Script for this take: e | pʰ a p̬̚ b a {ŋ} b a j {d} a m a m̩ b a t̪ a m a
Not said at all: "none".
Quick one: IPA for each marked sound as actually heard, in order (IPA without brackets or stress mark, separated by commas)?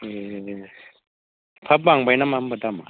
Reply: ŋ, n